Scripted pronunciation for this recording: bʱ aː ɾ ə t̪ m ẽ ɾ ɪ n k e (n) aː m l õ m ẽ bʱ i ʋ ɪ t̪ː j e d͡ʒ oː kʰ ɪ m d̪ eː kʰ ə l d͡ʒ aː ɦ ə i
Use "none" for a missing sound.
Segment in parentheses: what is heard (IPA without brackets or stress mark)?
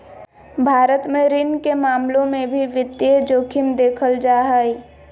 m